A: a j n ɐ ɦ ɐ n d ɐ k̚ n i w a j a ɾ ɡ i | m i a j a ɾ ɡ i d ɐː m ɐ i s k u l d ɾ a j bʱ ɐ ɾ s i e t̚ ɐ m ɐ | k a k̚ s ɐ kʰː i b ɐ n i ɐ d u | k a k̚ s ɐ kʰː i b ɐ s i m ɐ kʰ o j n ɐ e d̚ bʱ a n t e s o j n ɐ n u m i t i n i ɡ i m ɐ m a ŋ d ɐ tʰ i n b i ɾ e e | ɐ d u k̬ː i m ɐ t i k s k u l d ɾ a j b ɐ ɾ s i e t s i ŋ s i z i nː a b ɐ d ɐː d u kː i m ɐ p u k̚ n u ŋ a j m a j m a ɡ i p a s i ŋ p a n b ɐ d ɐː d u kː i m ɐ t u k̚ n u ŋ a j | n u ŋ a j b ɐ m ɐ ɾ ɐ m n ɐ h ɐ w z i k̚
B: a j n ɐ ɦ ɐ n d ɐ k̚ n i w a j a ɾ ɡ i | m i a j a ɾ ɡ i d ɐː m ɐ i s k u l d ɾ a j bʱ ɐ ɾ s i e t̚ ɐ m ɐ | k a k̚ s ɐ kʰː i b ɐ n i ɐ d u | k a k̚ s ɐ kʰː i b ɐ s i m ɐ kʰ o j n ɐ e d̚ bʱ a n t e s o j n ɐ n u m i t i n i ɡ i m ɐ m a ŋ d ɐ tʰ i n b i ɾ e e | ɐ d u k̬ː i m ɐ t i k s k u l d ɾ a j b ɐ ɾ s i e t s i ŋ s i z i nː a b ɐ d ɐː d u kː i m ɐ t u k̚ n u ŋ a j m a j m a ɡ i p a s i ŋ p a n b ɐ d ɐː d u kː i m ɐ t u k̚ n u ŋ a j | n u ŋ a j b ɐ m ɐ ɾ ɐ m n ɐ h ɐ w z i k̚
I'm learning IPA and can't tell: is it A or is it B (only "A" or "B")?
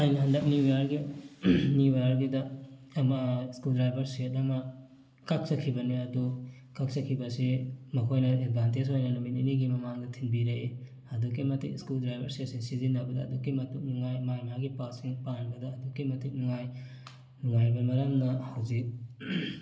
B